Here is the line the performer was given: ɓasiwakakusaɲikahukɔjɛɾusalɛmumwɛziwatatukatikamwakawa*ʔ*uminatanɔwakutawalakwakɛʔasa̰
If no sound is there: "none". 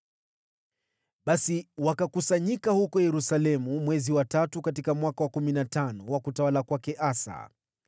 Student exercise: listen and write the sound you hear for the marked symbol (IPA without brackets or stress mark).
k